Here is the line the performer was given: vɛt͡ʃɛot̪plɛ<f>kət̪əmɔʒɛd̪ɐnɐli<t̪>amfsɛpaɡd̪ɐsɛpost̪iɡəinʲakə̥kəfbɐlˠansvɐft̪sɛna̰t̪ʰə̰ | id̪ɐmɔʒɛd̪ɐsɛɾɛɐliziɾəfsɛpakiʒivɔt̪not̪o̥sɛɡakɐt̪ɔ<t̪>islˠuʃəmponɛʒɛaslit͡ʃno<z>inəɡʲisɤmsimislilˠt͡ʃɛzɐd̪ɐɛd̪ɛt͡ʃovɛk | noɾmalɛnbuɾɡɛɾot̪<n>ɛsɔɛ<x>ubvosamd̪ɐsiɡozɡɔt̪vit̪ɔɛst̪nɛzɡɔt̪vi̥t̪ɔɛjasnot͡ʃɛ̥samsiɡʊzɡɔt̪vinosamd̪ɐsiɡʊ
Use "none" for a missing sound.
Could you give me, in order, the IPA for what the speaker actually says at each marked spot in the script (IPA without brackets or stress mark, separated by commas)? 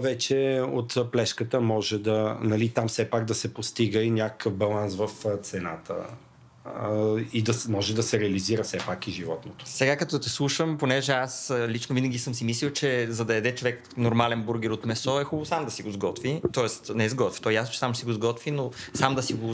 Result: ʃ, t̪, t̪, v, m, x